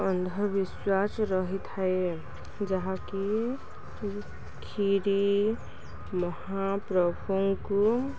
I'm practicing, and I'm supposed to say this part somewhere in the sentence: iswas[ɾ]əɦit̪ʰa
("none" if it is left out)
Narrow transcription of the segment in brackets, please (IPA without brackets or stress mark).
ɾ